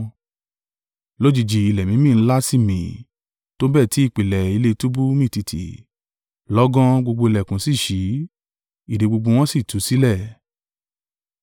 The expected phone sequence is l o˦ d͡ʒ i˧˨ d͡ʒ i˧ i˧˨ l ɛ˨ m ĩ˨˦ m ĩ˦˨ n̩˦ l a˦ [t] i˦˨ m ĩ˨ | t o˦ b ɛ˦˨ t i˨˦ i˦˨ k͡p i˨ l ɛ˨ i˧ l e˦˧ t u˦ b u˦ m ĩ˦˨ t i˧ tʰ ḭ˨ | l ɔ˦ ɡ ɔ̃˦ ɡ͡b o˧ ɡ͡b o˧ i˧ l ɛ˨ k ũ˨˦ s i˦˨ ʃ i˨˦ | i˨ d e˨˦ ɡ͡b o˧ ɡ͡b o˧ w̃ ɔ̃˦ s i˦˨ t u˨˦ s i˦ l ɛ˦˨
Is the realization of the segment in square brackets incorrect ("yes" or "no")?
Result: yes